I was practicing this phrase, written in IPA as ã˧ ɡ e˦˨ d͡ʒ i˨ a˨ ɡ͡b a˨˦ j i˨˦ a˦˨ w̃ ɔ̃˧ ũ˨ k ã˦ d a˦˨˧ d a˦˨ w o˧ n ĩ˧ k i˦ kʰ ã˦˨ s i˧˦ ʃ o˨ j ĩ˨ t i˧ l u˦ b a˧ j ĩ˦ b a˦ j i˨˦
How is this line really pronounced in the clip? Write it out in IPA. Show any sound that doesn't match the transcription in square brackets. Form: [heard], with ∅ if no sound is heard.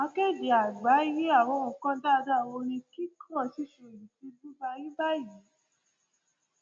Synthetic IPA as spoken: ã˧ [k] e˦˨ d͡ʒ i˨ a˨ ɡ͡b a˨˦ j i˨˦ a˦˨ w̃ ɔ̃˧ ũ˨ k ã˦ d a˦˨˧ d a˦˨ w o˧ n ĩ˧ k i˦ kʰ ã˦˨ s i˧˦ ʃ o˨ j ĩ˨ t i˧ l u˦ b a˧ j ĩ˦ b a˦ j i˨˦

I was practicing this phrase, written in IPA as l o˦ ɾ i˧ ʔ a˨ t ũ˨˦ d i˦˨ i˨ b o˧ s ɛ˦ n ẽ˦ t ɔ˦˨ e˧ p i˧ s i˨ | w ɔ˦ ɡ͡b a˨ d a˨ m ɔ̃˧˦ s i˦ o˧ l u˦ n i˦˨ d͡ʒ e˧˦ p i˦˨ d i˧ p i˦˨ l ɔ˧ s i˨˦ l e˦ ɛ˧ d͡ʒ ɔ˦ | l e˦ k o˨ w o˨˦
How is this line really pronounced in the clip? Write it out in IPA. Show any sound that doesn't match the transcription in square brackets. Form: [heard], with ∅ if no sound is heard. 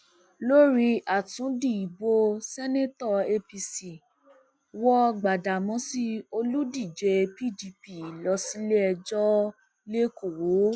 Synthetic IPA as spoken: l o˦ ɾ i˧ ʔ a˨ t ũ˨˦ d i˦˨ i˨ b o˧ s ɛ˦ n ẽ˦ t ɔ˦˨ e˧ p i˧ s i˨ | w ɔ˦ ɡ͡b a˨ d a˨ m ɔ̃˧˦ s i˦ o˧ l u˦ [d] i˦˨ d͡ʒ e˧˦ p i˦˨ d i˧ p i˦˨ l ɔ˧ s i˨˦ l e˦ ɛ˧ d͡ʒ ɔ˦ | l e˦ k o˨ w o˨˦

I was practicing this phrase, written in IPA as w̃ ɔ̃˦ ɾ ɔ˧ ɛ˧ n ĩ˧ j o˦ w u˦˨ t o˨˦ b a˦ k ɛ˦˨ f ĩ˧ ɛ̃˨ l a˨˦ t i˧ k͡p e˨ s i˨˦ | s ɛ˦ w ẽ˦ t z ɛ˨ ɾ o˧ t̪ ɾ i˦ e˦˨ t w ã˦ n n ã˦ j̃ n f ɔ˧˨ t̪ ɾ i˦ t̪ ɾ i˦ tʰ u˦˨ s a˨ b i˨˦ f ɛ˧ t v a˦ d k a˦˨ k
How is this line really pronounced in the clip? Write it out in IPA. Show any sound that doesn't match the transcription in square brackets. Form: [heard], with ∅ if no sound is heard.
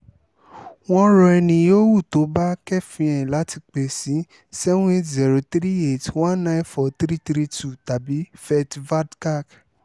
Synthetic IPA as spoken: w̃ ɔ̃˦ ɾ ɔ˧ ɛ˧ n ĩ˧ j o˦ w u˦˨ t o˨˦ b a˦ k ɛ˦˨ f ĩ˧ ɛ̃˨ l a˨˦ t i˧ k͡p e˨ s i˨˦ | s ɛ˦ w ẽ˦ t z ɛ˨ ɾ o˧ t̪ ɾ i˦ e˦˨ t w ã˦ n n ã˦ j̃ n f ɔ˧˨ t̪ ɾ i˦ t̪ ɾ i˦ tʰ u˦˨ [t] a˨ b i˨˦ f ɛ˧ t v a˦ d k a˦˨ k

